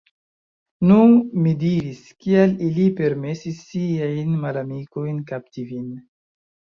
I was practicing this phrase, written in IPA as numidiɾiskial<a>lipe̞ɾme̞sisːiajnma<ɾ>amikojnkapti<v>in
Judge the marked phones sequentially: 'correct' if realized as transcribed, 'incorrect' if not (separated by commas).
incorrect, incorrect, correct